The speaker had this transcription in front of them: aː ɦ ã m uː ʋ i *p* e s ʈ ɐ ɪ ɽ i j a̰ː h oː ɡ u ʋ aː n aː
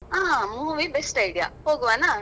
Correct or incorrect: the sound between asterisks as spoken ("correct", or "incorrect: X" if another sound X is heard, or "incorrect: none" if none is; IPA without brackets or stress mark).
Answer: incorrect: b